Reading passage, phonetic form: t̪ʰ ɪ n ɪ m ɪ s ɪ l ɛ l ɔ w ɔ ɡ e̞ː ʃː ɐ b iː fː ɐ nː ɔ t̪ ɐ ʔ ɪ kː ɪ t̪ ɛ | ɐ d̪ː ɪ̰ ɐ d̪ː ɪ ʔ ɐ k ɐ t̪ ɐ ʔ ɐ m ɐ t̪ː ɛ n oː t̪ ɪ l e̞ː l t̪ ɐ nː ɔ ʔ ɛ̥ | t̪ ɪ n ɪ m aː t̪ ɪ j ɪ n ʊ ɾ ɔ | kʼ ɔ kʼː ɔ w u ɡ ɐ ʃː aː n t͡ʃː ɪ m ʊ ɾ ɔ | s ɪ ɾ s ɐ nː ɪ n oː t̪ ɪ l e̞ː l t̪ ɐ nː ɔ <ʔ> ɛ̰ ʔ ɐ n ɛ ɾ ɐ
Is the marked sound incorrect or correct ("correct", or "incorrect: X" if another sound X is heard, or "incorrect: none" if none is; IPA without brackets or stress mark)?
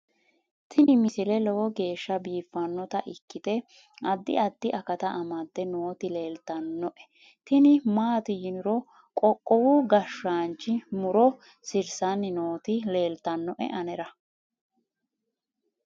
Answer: correct